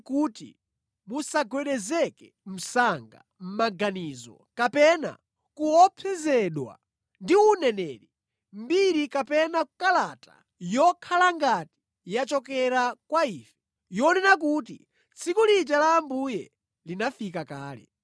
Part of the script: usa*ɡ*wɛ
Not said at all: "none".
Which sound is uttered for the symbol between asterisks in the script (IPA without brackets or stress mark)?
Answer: ɡ